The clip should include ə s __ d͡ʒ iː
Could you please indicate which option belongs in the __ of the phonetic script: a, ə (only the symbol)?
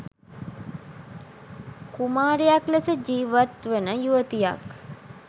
ə